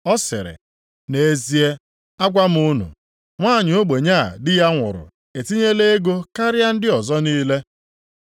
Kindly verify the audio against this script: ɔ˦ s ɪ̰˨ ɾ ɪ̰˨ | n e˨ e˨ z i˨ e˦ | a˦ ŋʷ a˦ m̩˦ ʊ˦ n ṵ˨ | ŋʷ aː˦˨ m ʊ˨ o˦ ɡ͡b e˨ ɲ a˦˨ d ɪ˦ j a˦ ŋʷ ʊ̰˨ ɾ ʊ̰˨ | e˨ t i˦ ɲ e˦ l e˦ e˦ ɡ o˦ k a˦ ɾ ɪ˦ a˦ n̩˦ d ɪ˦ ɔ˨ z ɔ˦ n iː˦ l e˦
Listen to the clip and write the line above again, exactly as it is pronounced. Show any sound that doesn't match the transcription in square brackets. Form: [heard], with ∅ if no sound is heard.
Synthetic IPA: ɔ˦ s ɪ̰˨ ɾ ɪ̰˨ | n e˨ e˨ z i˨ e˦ | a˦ [ɡʷ] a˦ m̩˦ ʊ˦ n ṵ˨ | ŋʷ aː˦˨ [ɲ] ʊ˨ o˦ ɡ͡b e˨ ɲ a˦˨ d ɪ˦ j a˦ ŋʷ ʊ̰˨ ɾ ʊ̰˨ | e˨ t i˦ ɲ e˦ l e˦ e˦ ɡ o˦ k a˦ ɾ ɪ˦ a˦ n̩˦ d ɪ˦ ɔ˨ z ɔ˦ n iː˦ l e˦